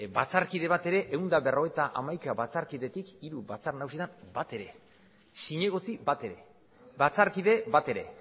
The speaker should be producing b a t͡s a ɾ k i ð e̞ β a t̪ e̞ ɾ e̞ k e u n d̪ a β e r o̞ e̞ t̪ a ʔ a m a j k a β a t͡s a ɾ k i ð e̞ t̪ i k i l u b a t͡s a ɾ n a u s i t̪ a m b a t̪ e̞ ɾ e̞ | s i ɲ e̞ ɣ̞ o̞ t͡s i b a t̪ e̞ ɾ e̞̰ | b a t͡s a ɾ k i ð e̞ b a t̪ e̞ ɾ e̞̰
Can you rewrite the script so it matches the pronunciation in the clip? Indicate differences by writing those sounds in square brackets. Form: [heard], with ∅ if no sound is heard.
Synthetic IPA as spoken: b a t͡s a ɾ k i ð e̞ β a t̪ e̞ ɾ e̞ [ʔ] e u n d̪ a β e r o̞ e̞ t̪ a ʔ a m a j k a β a t͡s a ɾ k i ð e̞ t̪ i k i [ɾ] u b a t͡s a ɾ n a u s i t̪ a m b a t̪ e̞ ɾ e̞ | s i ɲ e̞ ɣ̞ o̞ t͡s i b a t̪ e̞ ɾ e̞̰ | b a t͡s a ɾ k i ð e̞ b a t̪ e̞ ɾ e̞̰